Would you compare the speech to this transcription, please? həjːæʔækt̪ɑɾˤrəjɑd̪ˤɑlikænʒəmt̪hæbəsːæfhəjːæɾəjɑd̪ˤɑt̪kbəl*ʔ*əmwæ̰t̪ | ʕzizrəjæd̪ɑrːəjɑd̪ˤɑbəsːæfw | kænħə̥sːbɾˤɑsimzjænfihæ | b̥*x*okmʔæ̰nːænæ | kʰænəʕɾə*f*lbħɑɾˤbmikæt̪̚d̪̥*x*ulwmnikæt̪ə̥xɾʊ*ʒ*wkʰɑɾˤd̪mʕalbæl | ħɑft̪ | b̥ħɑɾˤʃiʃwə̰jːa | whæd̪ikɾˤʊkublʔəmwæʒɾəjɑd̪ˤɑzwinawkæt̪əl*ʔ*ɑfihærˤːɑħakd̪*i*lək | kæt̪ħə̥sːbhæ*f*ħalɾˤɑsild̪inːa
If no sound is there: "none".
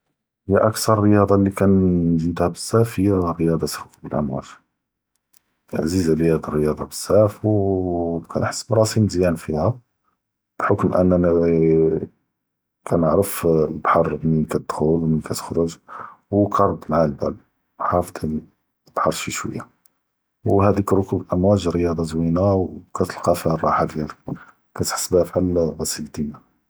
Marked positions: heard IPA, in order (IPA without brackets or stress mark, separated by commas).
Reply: ʔ, ħ, f, x, ʒ, q, æ, f